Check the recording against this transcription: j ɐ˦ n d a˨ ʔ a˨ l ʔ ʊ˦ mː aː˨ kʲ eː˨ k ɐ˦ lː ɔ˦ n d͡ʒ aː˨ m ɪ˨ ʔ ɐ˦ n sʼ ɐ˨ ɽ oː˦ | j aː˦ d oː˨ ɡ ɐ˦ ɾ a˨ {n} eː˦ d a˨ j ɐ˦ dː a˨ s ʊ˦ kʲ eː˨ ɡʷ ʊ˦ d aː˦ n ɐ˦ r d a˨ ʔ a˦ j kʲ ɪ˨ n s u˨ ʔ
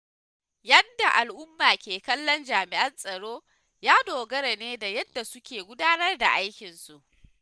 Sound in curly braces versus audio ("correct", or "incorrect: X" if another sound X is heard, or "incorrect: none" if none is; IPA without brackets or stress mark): correct